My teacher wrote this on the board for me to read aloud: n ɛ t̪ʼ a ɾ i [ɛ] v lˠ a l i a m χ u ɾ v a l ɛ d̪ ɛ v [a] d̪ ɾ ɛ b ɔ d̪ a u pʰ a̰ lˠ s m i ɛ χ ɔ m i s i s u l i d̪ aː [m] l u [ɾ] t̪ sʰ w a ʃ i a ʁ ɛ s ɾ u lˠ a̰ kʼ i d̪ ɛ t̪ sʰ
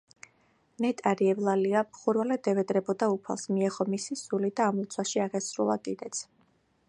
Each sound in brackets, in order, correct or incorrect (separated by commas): correct, incorrect, correct, incorrect